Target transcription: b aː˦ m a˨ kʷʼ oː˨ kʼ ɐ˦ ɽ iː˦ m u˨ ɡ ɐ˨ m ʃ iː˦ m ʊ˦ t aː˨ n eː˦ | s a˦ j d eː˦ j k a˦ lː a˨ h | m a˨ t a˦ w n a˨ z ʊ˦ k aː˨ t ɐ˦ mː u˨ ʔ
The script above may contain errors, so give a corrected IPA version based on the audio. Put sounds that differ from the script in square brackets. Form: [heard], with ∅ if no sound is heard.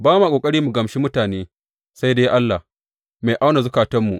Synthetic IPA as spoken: b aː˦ m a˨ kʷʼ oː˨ kʼ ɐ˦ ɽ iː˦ m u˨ ɡ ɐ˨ m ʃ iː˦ m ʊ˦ t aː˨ n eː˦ | s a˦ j d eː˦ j [ʔ] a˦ lː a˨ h | m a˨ [ʔ] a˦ w n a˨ z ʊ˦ k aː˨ t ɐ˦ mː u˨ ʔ